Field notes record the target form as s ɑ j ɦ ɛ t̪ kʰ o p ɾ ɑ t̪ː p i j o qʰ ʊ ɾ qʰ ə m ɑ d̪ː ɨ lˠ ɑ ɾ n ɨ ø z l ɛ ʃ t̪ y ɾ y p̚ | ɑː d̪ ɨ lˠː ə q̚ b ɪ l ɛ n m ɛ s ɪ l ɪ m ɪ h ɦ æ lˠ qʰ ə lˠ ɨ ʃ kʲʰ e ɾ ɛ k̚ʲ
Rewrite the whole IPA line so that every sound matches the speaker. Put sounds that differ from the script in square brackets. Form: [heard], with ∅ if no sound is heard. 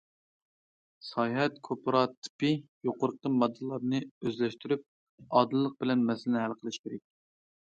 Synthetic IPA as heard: s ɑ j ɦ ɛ t̪ kʰ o p ɾ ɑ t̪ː p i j o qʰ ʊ ɾ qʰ ə m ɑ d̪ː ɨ lˠ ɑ ɾ n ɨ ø z l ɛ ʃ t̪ y ɾ y p̚ | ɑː d̪ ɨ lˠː ə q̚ b ɪ l ɛ n m ɛ s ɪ l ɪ [n] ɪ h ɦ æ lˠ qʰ ə lˠ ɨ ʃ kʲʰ e ɾ ɛ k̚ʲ